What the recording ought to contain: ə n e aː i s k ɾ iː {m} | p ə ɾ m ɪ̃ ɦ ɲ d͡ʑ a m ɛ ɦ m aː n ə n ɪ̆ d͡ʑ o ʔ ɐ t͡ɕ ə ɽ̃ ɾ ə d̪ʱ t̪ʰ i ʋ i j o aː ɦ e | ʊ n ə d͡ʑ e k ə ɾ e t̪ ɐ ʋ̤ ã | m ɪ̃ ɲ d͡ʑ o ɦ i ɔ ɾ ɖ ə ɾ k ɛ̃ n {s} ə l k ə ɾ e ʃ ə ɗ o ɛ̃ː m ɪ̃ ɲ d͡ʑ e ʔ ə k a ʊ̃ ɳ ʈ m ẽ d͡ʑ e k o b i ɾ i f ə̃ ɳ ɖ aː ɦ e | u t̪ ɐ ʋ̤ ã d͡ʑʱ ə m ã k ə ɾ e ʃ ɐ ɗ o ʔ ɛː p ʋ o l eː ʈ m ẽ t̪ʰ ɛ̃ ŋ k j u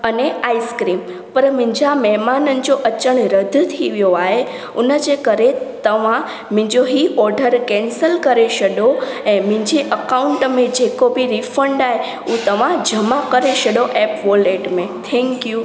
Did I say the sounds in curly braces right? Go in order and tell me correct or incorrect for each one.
correct, correct

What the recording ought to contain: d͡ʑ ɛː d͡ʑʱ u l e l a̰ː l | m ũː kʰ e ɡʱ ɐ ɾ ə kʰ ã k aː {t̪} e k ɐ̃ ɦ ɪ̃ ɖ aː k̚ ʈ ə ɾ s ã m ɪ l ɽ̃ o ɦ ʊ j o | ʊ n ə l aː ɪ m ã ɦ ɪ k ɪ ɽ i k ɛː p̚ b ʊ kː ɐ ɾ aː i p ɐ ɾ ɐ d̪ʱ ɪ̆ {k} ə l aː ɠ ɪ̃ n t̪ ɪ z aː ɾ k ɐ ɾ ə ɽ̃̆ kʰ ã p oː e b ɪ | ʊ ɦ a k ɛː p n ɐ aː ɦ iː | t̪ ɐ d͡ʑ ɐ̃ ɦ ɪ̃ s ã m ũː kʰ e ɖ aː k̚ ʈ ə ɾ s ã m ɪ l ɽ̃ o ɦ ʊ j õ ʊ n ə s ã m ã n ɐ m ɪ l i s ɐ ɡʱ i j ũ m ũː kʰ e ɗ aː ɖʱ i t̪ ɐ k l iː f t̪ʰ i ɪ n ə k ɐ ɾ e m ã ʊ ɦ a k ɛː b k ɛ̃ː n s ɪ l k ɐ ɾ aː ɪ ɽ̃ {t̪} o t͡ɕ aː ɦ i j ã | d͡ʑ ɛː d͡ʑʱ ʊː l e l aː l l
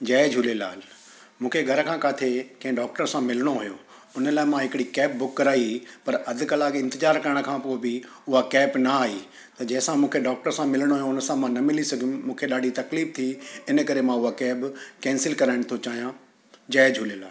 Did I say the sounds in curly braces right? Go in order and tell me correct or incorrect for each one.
incorrect, correct, incorrect

